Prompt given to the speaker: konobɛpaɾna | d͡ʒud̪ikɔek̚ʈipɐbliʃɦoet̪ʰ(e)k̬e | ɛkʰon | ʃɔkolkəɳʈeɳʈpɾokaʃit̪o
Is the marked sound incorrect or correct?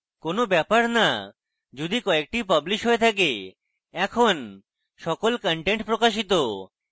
incorrect: a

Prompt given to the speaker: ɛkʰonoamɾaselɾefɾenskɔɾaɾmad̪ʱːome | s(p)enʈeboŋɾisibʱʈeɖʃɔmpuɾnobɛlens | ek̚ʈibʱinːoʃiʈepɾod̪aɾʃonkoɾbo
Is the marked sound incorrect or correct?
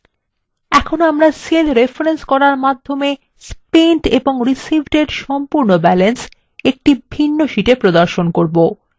correct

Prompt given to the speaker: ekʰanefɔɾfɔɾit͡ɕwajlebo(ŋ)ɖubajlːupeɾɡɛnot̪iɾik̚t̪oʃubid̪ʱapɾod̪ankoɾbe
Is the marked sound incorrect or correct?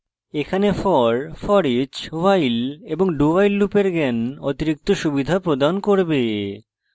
correct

